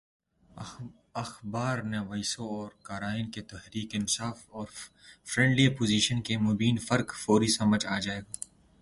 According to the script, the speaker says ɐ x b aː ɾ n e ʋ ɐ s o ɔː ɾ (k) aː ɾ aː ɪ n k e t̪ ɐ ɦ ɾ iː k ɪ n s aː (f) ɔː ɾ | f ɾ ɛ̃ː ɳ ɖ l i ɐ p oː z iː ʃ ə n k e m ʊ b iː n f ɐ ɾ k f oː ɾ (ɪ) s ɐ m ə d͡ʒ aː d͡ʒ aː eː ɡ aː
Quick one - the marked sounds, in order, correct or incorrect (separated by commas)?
correct, correct, incorrect